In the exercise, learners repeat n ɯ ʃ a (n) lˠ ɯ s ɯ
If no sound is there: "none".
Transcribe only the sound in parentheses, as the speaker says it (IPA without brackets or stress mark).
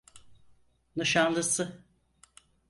n